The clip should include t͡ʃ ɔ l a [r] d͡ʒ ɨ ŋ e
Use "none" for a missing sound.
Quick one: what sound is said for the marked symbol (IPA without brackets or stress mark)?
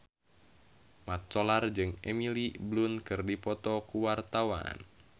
r